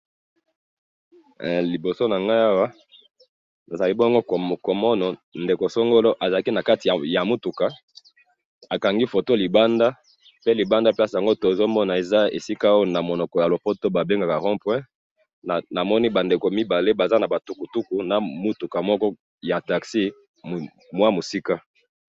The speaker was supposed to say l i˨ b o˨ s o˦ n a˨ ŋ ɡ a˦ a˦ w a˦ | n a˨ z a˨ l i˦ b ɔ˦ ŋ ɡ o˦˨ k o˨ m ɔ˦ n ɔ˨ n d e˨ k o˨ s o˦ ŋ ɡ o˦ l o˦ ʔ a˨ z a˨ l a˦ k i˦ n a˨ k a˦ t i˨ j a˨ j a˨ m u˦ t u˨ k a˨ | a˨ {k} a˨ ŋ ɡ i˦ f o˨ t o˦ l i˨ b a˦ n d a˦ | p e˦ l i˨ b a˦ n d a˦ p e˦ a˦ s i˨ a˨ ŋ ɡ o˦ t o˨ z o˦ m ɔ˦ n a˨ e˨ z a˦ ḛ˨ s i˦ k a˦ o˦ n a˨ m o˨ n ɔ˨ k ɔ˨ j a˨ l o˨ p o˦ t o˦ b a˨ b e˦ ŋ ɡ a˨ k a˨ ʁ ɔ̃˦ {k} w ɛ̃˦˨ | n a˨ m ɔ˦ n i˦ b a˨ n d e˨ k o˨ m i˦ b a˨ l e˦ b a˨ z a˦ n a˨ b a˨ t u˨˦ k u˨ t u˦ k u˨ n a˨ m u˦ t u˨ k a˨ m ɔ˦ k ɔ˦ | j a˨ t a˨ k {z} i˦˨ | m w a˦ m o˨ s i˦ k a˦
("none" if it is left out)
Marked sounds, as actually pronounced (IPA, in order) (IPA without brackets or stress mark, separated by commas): k, p, s